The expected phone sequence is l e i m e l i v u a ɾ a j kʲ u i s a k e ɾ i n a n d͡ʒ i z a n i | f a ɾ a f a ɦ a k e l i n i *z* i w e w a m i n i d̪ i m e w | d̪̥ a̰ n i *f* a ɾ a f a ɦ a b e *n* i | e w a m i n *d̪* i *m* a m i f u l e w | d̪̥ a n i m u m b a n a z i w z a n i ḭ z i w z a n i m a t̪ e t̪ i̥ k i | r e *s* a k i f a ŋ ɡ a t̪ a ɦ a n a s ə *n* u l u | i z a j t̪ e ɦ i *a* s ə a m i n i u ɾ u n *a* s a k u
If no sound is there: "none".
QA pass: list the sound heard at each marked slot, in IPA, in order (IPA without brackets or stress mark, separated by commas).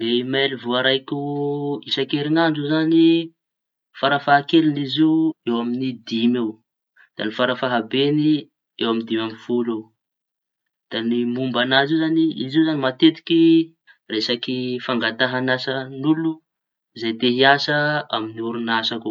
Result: z, f, n, d̪, m, s, n, a, a